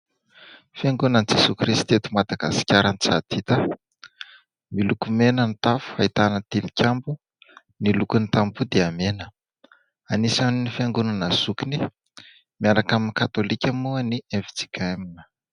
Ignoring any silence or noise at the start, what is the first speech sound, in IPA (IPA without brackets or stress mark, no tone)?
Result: f